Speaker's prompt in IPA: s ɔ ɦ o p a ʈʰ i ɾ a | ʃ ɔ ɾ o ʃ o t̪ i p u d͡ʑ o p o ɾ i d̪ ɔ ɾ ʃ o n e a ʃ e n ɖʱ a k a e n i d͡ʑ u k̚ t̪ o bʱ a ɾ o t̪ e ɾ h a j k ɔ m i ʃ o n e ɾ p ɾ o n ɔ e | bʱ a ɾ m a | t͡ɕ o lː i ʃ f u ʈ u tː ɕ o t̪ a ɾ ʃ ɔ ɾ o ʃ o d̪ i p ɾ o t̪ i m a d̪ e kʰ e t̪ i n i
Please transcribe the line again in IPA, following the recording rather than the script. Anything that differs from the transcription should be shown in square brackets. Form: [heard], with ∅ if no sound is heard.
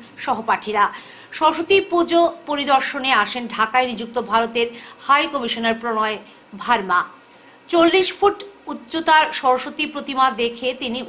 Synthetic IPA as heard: [ʃ] ɔ ɦ o p a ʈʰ i ɾ a | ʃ ɔ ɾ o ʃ o t̪ i p u d͡ʑ o p o ɾ i d̪ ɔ ɾ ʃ o n e a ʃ e n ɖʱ a k a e n i d͡ʑ u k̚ t̪ o bʱ a ɾ o t̪ e ɾ h a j k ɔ m i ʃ o n e ɾ p ɾ o n ɔ e | bʱ a ɾ m a | t͡ɕ o lː i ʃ f u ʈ u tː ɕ o t̪ a ɾ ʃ ɔ ɾ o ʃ o [t̪] i p ɾ o t̪ i m a d̪ e kʰ e t̪ i n i

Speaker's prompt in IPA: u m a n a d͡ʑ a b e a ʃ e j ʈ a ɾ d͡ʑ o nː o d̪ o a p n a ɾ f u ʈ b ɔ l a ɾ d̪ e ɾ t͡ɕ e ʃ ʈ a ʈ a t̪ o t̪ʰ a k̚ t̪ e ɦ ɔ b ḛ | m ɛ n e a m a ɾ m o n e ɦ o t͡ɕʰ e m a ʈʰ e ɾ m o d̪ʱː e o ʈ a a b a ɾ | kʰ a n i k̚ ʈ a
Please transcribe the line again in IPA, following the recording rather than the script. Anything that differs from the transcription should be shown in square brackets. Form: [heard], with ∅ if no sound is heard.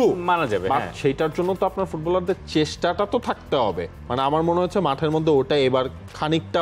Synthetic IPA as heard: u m a n a d͡ʑ a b e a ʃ e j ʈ a ɾ d͡ʑ o nː o [t̪] o a p n a ɾ f u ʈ b ɔ l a ɾ d̪ e ɾ t͡ɕ e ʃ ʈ a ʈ a t̪ o t̪ʰ a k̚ t̪ e ɦ ɔ b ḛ | m [a] n e a m a ɾ m o n e ɦ o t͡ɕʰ e m a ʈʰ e ɾ m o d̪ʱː e o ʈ a [e] b a ɾ | kʰ a n i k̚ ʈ a

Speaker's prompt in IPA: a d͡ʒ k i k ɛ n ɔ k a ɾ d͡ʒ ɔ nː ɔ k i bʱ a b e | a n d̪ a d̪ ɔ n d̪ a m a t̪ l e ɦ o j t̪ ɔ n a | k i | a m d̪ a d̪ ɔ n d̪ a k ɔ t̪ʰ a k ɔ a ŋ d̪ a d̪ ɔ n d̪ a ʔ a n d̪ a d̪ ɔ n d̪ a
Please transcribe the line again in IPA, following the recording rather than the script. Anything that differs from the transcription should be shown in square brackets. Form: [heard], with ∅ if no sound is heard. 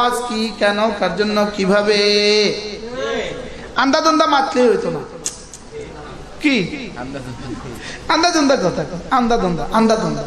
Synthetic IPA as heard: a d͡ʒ k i k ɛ n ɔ k a ɾ d͡ʒ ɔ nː ɔ k i bʱ a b e | a n d̪ a d̪ ɔ n d̪ a m a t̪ l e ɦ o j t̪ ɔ n a | k i | a [n] d̪ a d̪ ɔ n d̪ a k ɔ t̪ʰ a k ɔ a [n] d̪ a d̪ ɔ n d̪ a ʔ a n d̪ a d̪ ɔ n d̪ a

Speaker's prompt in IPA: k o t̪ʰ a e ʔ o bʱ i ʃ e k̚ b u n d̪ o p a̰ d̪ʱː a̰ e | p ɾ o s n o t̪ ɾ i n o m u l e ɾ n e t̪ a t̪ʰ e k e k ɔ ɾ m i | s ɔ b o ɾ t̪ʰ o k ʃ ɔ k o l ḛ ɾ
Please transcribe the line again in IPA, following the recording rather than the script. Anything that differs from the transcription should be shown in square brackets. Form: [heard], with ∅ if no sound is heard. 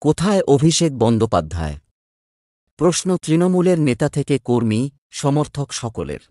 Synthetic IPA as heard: k o t̪ʰ a e ʔ o bʱ i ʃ e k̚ b [ɔ] n d̪ o p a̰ d̪ʱː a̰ e | p ɾ o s n o t̪ ɾ i n o m u l e ɾ n e t̪ a t̪ʰ e k e k [o] ɾ m i | [ʃ] ɔ [m] o ɾ t̪ʰ o k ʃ ɔ k o l ḛ ɾ

